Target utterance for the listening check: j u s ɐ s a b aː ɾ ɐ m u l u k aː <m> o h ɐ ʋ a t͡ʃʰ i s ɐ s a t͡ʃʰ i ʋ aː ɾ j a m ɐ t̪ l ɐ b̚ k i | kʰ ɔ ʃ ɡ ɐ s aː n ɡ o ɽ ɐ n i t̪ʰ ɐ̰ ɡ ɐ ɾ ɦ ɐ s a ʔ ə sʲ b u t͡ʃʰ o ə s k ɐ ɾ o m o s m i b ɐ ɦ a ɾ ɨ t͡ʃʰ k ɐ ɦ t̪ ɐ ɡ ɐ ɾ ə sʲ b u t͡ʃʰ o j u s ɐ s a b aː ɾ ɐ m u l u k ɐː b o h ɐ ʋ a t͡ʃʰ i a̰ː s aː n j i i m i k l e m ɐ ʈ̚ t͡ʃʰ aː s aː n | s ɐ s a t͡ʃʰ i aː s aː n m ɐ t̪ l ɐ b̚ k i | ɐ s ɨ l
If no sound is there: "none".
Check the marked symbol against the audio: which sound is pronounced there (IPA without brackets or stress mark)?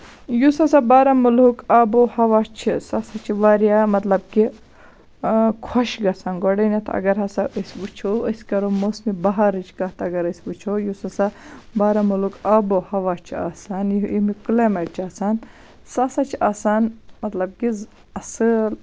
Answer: b